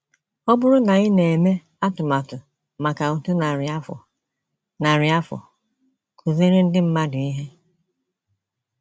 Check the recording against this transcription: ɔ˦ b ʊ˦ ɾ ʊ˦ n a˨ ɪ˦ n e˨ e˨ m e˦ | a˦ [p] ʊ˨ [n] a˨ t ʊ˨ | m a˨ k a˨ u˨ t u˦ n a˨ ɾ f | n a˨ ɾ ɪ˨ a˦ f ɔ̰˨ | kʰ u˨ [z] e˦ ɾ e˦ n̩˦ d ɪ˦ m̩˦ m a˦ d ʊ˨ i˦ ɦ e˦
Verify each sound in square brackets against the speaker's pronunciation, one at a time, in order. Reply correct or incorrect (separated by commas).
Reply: incorrect, incorrect, correct